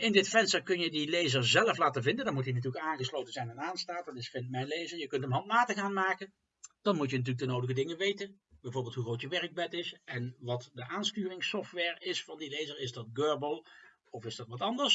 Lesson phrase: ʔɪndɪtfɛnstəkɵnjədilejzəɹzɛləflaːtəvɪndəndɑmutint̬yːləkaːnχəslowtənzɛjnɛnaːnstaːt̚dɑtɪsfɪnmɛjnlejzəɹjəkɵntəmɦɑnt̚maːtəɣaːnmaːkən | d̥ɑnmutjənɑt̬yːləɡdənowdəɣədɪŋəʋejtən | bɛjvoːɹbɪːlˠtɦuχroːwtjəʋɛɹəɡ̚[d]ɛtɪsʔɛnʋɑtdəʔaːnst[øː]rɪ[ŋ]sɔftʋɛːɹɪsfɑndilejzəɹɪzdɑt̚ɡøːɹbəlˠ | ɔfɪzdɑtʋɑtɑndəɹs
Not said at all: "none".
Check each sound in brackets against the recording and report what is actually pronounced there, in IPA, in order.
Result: b, yː, ŋ

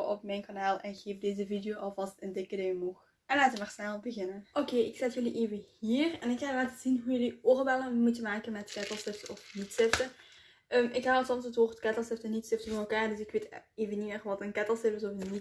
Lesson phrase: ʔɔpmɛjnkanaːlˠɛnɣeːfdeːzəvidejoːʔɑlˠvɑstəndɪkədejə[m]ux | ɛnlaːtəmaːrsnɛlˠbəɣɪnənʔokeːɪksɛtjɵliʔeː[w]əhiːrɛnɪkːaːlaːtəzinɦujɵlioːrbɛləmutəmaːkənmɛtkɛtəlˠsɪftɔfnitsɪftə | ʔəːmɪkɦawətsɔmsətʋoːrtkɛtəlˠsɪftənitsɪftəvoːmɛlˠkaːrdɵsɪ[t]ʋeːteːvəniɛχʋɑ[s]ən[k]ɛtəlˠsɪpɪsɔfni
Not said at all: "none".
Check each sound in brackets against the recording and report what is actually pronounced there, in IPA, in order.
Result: m, v, k, t, k

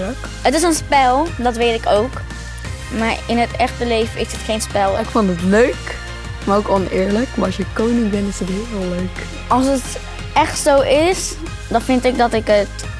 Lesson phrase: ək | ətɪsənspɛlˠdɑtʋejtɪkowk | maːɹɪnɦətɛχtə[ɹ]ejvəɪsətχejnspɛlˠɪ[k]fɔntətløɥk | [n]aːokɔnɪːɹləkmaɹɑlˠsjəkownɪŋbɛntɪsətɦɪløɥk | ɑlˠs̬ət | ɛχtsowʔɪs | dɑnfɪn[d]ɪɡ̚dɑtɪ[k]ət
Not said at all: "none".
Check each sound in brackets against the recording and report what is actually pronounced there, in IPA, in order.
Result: l, k, m, t, k

